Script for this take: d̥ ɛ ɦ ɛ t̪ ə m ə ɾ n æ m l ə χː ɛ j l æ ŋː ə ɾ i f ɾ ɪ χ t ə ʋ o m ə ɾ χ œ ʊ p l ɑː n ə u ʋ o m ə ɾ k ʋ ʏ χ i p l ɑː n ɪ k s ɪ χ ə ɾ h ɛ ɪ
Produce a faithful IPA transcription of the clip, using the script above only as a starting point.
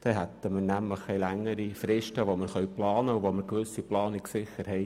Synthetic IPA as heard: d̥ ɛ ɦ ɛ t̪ ə m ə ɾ n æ m l ə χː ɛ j l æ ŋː ə ɾ i f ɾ ɪ ʃ t ə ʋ o m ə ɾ χ œ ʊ p l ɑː n ə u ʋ o m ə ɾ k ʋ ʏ s i p l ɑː n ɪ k s ɪ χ ə ɾ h ɛ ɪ

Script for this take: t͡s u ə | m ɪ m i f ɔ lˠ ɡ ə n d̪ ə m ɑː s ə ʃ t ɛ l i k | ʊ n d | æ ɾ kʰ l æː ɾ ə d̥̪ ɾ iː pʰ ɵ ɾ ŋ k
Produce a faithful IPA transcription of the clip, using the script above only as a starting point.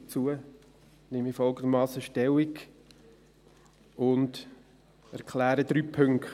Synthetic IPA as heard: t͡s u ə | n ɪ m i f ɔ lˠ ɡ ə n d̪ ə m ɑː s ə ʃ t ɛ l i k | ʊ n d | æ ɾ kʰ l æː ɾ ə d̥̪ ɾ yː pʰ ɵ ŋ k

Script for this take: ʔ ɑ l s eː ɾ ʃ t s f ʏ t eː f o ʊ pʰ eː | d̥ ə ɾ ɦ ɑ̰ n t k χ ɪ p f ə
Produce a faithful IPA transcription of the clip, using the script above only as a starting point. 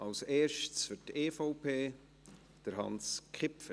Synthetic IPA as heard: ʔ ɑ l s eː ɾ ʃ t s f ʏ t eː f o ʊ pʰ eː | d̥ ə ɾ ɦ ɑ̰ n s k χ ɪ p f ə

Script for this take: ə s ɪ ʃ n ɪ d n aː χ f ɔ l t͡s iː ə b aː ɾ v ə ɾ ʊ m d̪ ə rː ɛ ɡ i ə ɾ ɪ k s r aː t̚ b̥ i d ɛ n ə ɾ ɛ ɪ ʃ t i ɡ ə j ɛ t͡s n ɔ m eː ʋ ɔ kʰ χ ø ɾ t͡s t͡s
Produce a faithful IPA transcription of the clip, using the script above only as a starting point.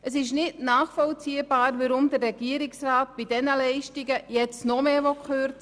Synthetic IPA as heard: ə s ɪ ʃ n ɪ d n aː χ f ɔ l t͡s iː ə b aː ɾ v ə ɾ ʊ m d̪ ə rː ɛ ɡ i ə ɾ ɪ k s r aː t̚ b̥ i d ɛ n ə l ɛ ɪ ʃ t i ɡ ə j ɛ t͡s n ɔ m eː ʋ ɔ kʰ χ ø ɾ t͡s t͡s

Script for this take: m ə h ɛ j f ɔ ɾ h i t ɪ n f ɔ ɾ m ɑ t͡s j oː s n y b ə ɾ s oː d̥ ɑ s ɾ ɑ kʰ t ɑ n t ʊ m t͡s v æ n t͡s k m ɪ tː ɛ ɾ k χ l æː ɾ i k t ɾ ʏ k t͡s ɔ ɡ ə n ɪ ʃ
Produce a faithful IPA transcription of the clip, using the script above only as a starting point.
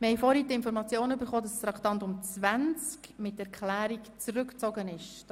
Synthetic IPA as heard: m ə h ɛ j f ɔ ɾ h i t ɪ n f ɔ ɾ m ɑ t͡s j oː n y b ə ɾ χ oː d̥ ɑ s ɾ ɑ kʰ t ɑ n t ʊ m t͡s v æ n t͡s k m ɪ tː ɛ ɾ k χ l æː ɾ i k t͡s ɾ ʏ k t͡s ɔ ɡ ə n ɪ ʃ

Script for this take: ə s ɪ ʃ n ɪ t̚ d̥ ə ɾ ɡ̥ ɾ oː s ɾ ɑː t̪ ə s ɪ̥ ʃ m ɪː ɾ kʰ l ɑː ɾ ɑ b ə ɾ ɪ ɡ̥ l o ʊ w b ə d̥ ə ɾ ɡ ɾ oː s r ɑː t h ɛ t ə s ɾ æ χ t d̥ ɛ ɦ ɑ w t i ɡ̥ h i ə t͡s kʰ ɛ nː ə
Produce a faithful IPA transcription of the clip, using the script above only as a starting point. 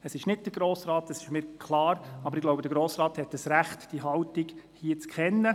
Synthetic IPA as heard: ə s ɪ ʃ n ɪ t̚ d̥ ə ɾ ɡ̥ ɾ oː s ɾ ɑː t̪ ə s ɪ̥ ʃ m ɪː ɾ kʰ l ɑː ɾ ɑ b ə ɾ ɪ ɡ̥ l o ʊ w b ə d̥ ə ɾ ɡ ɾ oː s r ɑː t h ɛ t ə s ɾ æ χ t d̥ i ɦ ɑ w t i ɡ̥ h i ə t͡s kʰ ɛ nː ə

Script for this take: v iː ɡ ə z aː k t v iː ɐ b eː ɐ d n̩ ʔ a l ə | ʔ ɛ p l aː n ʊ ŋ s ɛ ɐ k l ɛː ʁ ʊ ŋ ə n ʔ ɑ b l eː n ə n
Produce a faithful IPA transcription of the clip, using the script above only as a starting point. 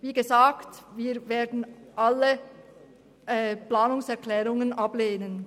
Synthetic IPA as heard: v iː ɡ ə z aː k t v iː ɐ v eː ɐ d n̩ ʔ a l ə | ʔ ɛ p l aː n ʊ ŋ s ɛ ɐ k l ɛː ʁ ʊ ŋ ə n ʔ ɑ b l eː n ə n

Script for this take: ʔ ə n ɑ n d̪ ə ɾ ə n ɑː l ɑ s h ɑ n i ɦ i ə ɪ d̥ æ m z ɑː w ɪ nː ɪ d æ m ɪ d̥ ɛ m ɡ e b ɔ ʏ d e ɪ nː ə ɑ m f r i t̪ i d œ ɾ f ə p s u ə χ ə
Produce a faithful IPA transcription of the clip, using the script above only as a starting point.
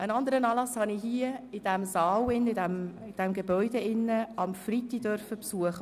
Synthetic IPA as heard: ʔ ə n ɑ n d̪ ə ɾ ə n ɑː l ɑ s h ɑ n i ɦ i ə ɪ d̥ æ m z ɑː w ɪ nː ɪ d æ m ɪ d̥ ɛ m ɡ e b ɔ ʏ d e ɪ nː ə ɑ m f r i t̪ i d œ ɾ f ə p s u ə χ ə

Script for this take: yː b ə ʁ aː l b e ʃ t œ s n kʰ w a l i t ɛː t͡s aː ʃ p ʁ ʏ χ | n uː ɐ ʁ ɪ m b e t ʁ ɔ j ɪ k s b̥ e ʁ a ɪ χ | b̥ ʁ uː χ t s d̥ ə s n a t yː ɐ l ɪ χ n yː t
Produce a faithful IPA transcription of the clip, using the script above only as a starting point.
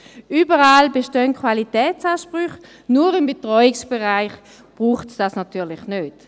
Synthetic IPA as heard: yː b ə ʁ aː l b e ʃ t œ n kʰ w a l i t ɛː t͡s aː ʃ p ʁ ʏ χ | n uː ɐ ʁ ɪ m b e t ʁ ɔ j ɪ k s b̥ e ʁ a ɪ χ | b̥ ʁ uː χ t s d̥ a s n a t yː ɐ l ɪ χ n øː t

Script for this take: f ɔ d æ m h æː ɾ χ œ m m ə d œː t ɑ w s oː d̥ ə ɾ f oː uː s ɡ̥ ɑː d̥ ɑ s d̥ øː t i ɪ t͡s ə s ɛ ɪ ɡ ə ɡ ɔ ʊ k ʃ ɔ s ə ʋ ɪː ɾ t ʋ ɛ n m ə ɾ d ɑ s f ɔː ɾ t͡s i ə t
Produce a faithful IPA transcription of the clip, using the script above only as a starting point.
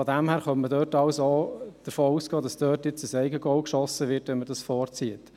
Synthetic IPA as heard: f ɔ d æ m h æː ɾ χ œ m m ə d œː t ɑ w s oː d̥ ə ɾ f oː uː s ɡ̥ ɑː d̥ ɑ s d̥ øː t j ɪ t͡s ə s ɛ ɪ ɡ ə ɡ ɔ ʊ k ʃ ɔ s ə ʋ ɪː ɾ t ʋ ɛ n m ə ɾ d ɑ s f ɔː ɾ t͡s i ə t

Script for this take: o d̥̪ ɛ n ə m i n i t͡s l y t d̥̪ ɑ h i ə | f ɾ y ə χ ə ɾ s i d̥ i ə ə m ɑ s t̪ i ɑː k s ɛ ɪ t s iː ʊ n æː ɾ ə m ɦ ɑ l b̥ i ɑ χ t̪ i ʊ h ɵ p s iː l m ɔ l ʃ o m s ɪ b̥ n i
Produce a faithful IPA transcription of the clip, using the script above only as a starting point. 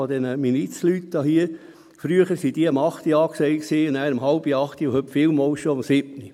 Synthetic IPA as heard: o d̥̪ ɛ n ə m i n i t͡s l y t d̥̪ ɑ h i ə | f ɾ y ə χ ə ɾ s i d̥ i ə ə m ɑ χ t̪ i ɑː k s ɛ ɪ k s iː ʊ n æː ɾ ə m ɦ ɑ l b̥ i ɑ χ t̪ i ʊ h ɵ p f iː l m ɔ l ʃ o m s ɪ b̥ n i

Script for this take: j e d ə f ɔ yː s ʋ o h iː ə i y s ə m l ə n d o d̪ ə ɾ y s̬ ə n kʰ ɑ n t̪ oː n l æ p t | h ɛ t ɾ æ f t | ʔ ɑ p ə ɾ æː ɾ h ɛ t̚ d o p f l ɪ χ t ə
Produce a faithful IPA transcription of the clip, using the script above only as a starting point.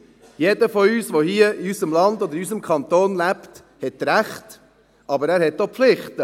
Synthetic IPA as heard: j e d ə f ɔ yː s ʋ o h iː ə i y s ə m l ɑ n d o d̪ ə ɾ y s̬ ə m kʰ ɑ n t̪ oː n l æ p t | h ɛ t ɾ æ χ t | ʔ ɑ b ə ɾ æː ɾ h ɛ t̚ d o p f l ɪ χ t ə

